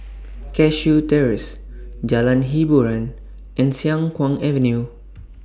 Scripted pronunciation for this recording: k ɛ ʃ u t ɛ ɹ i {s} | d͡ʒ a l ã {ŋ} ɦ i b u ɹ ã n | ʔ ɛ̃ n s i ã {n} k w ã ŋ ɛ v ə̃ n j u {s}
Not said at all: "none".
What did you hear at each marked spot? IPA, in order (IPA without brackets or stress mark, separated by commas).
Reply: s, n, ŋ, none